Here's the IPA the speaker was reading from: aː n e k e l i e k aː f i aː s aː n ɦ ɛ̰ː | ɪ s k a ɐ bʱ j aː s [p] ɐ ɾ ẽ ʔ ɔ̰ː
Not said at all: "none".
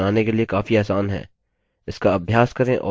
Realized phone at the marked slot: k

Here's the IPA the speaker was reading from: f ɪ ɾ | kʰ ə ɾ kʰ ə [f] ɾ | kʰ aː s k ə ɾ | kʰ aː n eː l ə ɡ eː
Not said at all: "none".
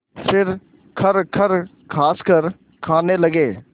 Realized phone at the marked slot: none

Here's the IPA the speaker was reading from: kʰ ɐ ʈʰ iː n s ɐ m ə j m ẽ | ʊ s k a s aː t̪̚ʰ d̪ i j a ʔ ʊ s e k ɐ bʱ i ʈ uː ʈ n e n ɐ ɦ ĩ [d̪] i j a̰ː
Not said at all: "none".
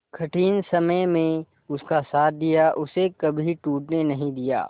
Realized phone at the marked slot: d̪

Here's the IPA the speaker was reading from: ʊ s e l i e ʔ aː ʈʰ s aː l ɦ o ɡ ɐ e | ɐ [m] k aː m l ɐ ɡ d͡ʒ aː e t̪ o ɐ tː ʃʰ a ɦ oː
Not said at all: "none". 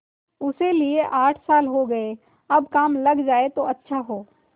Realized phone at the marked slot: b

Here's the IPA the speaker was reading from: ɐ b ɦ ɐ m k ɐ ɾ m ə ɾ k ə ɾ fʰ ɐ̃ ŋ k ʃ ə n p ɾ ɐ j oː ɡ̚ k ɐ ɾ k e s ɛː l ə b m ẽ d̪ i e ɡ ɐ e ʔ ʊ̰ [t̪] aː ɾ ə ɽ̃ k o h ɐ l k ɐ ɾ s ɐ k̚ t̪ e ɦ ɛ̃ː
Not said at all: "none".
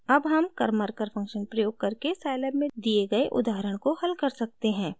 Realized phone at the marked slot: d̪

